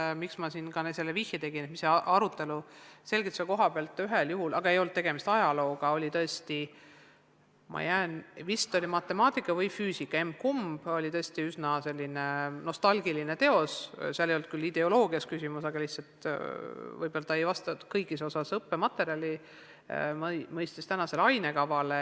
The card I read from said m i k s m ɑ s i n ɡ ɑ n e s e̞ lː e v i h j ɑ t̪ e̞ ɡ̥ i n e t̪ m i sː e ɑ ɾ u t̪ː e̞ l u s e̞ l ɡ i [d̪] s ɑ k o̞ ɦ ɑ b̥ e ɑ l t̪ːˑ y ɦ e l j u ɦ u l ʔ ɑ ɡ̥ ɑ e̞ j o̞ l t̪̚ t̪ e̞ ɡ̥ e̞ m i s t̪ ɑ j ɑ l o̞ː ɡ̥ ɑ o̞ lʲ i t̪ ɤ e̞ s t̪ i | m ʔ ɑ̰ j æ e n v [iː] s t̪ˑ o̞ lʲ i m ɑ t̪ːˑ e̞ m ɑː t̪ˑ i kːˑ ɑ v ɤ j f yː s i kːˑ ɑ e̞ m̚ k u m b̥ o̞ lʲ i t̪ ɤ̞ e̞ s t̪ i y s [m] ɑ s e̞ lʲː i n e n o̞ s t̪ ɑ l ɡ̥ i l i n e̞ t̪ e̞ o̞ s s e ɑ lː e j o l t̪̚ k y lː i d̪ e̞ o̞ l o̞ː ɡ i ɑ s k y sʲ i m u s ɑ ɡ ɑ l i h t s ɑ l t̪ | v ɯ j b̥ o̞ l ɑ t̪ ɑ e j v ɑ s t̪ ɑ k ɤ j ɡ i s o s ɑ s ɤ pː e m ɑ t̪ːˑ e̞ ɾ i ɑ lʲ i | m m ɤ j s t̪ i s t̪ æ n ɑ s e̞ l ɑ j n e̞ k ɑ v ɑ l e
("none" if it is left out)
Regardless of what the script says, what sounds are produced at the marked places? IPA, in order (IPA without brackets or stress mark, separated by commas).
t̪, i, n